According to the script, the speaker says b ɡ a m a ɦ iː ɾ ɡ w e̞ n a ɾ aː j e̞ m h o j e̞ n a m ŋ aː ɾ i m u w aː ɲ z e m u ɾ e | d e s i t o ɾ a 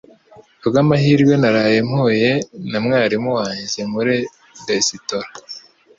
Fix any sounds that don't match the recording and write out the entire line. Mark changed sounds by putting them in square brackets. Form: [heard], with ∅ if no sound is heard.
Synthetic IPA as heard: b ɡ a m a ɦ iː ɾ ɡ w e̞ n a ɾ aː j e̞ m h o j e̞ n a m ŋ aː ɾ i m u w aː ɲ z e m u ɾ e | d e s i t o ɾ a